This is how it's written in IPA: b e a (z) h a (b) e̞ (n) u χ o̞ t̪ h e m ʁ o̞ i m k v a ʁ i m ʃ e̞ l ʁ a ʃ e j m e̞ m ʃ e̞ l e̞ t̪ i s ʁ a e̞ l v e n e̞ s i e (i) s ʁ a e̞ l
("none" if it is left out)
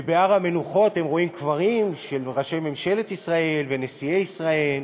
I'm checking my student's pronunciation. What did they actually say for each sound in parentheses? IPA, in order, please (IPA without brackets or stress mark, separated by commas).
ʁ, m, n, i